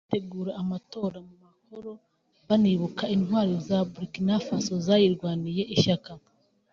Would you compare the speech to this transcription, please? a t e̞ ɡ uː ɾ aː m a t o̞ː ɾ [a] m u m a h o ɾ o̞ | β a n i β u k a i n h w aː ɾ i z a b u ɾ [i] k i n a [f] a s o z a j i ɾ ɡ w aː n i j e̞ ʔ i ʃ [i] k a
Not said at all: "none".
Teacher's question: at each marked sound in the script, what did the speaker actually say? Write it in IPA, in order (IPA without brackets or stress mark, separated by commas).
a, i, f, a